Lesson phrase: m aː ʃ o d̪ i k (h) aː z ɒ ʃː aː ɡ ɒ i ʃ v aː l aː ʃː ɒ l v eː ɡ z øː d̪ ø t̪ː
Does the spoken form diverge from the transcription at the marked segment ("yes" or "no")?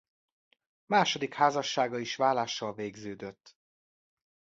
no